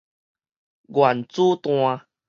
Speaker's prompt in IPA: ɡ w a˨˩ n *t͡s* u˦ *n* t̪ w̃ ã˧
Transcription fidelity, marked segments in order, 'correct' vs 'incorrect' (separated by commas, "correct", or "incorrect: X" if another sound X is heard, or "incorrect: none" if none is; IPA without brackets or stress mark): correct, incorrect: none